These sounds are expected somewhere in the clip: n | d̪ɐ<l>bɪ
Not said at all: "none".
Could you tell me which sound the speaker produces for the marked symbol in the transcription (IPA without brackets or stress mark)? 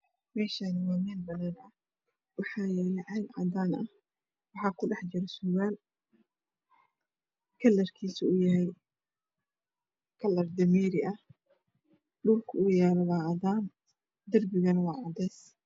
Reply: r